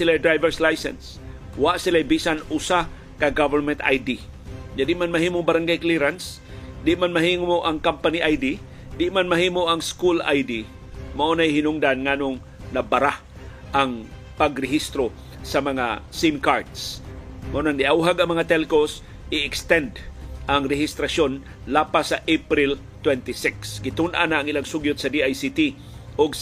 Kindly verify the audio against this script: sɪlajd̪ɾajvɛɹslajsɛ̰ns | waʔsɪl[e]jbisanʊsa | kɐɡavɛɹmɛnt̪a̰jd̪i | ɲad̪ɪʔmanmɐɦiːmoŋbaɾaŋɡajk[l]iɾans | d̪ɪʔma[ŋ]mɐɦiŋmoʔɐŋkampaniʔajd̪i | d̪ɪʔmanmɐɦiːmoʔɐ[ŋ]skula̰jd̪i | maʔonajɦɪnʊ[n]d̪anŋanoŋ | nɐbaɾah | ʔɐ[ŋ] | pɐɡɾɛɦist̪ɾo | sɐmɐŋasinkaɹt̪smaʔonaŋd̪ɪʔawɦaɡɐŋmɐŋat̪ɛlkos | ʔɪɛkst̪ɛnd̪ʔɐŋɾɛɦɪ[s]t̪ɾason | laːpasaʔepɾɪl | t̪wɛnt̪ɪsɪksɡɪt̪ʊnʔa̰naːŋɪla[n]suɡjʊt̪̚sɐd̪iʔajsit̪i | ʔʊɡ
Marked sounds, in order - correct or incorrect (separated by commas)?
incorrect, correct, incorrect, correct, incorrect, correct, correct, incorrect